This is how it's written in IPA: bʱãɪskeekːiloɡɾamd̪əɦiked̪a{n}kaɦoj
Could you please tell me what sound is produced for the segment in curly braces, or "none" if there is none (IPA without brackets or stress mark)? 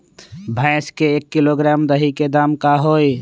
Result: m